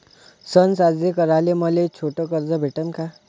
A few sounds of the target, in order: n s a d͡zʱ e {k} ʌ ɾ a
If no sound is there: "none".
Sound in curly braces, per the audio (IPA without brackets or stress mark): k